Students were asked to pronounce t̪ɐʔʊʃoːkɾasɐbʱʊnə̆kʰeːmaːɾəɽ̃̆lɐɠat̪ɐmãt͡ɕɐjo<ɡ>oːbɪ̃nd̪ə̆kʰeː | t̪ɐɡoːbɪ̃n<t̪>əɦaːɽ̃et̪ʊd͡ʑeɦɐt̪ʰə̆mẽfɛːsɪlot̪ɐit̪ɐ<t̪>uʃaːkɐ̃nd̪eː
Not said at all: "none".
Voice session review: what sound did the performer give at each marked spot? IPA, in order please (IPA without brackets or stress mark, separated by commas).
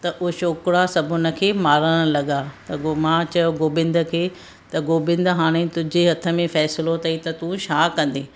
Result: ɡ, d̪, t̪